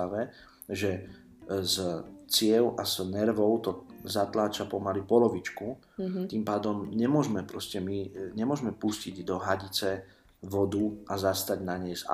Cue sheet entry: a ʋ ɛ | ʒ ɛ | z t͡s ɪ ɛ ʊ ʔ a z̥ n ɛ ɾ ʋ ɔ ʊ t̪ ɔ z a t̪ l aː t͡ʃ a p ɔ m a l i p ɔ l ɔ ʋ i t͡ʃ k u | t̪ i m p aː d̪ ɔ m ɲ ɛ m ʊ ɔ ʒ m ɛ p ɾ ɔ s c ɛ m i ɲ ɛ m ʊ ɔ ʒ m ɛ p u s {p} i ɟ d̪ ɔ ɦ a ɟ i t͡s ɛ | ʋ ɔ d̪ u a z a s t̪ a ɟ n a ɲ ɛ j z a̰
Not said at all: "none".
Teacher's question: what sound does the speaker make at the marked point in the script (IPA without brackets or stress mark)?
c